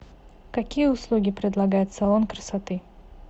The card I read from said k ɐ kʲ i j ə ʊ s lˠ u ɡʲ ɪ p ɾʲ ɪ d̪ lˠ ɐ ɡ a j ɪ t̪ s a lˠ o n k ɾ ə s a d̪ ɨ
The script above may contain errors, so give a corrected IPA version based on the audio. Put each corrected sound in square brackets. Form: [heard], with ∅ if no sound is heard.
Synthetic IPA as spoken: k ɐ kʲ i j ə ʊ s lˠ u ɡʲ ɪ p ɾʲ ɪ d̪ lˠ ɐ ɡ a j ɪ t̪ s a lˠ o n k ɾ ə s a [t̪] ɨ